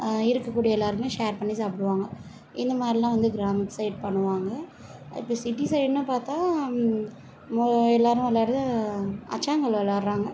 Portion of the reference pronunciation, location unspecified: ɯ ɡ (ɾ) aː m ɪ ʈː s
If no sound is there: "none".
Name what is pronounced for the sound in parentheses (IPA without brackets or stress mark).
ɾ